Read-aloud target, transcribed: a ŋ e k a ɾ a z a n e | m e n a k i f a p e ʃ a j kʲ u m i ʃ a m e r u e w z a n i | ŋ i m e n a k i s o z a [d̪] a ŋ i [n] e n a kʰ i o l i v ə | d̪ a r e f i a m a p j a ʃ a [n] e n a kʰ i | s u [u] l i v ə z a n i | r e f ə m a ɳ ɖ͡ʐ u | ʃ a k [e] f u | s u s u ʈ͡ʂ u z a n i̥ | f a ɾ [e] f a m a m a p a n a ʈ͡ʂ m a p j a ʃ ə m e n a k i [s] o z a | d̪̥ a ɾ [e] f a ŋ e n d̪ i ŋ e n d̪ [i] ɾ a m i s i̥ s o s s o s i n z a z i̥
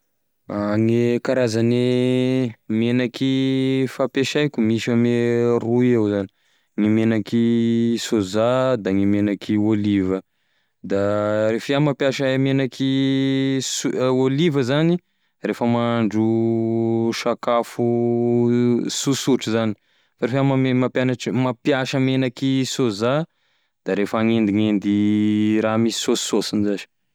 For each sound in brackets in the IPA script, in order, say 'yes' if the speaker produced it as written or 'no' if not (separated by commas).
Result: yes, no, no, no, no, yes, yes, yes, yes